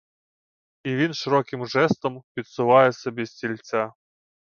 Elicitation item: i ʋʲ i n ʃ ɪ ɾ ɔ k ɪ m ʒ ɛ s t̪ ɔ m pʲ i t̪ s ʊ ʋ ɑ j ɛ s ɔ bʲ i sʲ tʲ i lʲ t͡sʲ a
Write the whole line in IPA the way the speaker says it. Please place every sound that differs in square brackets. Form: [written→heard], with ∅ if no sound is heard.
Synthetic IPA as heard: i ʋʲ i n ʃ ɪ ɾ ɔ k ɪ m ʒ ɛ s t̪ ɔ m pʲ i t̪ s ʊ ʋ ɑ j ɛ s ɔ bʲ i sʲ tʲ i lʲ t͡sʲ a